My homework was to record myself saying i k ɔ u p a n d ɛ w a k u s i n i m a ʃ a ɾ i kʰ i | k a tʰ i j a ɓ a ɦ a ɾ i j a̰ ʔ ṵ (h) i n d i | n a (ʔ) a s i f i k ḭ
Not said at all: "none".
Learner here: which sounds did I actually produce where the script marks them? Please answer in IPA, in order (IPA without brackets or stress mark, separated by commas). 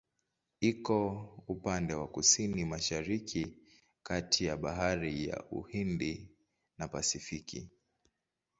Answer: h, p